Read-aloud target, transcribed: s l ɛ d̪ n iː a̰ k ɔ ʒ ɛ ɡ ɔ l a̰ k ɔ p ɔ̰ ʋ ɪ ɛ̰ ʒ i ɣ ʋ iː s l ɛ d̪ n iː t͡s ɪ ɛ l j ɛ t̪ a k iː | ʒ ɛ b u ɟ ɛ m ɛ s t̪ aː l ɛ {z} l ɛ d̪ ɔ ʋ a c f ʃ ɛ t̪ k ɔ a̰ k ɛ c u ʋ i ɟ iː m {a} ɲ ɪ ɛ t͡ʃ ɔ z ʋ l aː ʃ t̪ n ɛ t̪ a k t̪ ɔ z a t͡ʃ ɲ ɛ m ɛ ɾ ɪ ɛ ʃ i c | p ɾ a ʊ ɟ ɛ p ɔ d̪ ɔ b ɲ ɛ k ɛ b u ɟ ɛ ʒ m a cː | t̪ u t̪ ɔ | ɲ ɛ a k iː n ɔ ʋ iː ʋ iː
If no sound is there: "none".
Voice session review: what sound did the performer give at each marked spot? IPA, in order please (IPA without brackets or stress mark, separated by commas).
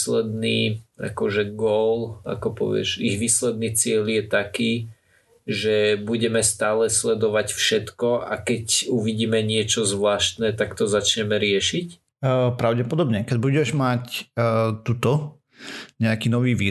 s, ɛ